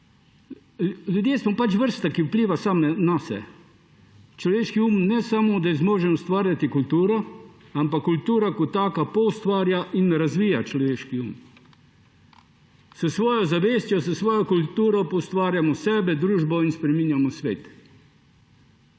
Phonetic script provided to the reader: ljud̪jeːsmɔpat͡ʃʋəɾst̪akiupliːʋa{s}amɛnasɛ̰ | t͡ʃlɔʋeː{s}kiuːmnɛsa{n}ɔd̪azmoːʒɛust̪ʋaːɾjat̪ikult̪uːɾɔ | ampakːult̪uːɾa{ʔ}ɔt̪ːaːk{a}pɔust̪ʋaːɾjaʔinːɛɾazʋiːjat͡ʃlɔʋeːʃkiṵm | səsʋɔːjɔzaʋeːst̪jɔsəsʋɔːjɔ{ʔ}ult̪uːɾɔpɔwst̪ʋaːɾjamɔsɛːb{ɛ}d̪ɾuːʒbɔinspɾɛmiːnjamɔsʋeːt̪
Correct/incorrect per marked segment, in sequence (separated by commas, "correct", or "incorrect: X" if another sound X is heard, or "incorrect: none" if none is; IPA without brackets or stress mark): correct, incorrect: ʃ, incorrect: m, incorrect: k, correct, incorrect: k, correct